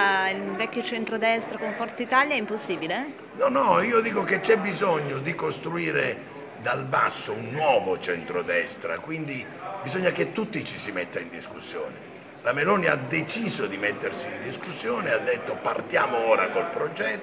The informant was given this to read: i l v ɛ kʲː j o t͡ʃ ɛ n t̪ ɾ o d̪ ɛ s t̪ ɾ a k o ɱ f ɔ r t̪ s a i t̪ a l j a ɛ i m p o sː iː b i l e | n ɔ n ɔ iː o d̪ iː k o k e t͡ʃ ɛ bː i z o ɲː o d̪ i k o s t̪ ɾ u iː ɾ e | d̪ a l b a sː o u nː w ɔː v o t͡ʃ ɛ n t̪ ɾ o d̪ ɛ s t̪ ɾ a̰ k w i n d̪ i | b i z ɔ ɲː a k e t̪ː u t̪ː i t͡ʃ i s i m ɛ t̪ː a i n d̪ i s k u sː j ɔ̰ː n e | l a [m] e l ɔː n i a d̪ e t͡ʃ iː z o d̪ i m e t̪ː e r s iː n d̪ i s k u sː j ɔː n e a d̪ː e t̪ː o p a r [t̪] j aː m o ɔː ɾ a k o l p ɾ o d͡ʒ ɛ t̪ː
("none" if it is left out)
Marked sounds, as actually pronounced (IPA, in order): m, t̪

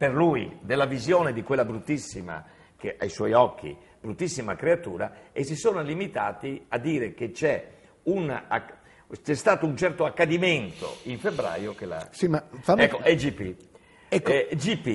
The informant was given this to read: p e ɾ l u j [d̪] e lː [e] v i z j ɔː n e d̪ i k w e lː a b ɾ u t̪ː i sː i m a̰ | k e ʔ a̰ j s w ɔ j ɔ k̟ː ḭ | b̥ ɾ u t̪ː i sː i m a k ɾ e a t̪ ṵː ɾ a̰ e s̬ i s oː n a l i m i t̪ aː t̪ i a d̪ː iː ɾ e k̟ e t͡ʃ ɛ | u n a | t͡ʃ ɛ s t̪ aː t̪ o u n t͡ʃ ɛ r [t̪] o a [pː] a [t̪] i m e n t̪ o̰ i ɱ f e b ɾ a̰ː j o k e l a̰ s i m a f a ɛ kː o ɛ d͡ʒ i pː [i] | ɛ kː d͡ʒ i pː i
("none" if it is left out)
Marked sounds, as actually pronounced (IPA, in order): d̪, a, t̪, kː, d̪, i

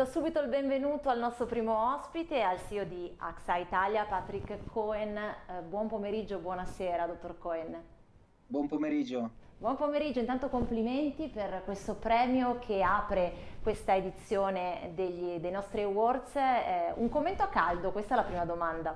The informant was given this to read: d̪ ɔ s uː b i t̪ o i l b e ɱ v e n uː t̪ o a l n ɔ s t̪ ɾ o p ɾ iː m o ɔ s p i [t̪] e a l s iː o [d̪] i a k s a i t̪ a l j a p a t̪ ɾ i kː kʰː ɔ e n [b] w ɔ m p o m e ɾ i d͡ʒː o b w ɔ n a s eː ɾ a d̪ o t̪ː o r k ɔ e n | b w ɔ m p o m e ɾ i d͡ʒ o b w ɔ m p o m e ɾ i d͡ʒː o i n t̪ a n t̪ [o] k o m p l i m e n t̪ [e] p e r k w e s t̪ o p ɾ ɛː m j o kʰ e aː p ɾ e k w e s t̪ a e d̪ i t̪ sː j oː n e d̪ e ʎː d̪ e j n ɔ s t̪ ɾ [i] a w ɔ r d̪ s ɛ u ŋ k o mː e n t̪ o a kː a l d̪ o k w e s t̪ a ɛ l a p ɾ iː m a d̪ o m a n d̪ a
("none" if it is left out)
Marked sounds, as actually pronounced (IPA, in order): t̪, d̪, b, o, i, i

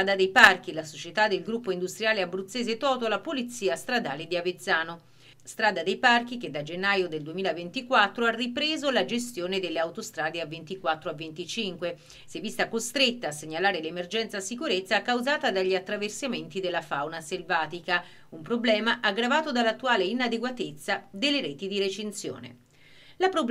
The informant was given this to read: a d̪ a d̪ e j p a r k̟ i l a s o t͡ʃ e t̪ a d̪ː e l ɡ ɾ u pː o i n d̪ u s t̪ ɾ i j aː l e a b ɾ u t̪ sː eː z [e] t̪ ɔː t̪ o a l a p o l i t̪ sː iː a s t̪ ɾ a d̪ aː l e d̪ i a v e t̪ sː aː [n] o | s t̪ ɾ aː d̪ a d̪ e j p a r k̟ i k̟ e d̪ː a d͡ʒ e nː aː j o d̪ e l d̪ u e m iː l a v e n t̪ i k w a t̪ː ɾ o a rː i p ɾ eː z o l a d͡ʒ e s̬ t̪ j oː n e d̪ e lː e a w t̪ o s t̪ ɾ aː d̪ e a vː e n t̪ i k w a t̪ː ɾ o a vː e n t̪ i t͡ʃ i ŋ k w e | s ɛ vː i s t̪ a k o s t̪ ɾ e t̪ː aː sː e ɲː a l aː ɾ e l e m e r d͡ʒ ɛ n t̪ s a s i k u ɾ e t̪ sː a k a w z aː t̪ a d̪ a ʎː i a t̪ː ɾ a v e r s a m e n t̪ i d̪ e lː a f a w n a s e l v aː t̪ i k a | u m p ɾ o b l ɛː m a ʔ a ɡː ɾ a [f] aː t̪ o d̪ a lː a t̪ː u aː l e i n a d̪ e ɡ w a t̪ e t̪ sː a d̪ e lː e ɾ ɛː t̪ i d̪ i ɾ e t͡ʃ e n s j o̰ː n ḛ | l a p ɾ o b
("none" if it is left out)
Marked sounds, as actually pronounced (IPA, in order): e, n, v

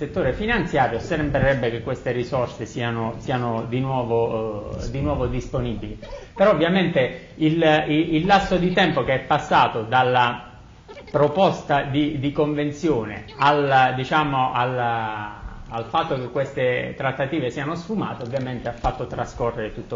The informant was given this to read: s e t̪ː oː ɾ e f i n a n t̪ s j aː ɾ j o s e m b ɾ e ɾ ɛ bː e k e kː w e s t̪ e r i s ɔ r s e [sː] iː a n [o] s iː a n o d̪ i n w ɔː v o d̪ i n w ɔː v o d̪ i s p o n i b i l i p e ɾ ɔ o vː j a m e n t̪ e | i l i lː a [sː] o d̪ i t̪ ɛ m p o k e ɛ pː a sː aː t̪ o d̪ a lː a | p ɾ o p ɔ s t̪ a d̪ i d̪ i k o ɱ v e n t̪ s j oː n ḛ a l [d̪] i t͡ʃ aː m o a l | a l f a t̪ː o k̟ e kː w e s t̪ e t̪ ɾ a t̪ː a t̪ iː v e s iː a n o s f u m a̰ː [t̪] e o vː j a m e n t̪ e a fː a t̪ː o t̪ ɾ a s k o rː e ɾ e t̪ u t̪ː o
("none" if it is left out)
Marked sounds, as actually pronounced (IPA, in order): s, o, sː, d̪, t̪

